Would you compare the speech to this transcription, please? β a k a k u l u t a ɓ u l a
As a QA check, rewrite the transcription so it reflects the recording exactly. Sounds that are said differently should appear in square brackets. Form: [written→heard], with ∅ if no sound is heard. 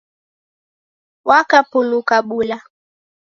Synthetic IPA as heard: [β→w] a k a [k→p] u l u [t→k] a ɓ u l a